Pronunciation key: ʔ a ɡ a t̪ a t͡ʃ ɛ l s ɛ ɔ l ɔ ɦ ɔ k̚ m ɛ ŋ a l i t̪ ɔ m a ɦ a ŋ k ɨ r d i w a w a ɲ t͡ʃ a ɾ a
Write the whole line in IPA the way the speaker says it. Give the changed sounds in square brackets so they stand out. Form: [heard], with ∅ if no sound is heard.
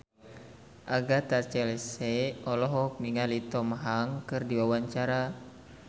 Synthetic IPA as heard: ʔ a ɡ a t̪ a t͡ʃ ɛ l s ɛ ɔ l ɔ ɦ ɔ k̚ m [i] ŋ a l i t̪ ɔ m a ɦ a ŋ k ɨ r d i w a w a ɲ t͡ʃ a ɾ a